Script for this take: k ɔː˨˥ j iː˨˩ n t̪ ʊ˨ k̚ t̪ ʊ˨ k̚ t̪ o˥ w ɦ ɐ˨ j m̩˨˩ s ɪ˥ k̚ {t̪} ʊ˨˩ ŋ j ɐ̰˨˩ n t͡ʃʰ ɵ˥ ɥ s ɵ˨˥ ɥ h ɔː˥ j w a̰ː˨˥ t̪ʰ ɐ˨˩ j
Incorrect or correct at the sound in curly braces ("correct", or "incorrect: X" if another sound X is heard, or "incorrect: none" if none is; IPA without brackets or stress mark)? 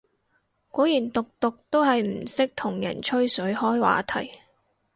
incorrect: t̪ʰ